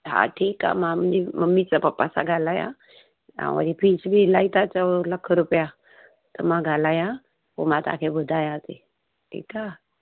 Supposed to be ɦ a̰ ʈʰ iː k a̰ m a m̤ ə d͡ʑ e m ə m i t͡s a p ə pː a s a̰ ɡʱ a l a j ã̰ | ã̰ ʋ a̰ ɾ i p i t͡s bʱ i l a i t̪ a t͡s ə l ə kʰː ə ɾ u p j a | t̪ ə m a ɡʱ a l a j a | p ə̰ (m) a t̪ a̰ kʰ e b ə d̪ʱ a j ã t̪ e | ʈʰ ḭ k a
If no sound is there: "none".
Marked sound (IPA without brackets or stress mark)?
m